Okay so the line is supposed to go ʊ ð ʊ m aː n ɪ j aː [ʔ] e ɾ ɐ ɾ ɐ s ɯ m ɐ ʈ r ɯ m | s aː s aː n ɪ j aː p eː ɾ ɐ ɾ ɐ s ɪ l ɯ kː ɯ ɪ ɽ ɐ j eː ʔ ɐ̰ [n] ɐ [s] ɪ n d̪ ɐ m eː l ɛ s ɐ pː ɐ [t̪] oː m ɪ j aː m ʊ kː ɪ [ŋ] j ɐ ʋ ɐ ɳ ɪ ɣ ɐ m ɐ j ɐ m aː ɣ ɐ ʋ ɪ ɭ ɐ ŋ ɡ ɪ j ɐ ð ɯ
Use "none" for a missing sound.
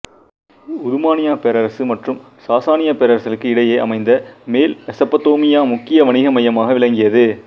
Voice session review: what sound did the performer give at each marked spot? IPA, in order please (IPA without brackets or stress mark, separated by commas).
p, m, none, t̪, none